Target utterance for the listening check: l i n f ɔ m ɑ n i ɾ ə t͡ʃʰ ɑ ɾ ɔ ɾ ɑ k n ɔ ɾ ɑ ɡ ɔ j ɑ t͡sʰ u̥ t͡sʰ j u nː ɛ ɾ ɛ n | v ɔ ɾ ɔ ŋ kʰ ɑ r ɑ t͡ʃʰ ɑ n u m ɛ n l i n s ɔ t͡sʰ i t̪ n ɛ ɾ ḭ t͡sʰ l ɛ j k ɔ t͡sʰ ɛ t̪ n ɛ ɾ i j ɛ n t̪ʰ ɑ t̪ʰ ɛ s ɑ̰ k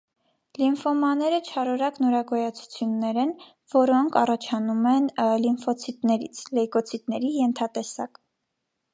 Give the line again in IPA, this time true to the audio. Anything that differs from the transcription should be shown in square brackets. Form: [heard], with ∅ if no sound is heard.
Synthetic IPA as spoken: l i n f ɔ m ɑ n [ɛ] ɾ ə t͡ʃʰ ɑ ɾ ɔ ɾ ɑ k n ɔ ɾ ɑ ɡ ɔ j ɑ t͡sʰ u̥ t͡sʰ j u nː ɛ ɾ ɛ n | v ɔ ɾ ɔ ŋ kʰ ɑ r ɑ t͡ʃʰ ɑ n u m ɛ n l i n [f] ɔ t͡sʰ i t̪ n ɛ ɾ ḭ t͡sʰ l ɛ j k ɔ t͡sʰ [i] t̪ n ɛ ɾ i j ɛ n t̪ʰ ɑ [t̪] ɛ s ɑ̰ k